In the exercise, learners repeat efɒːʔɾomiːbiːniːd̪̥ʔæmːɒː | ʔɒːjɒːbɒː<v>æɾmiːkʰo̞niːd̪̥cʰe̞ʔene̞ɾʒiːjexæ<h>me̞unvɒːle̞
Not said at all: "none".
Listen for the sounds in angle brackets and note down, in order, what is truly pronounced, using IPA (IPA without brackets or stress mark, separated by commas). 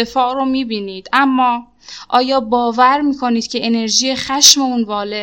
v, ʃ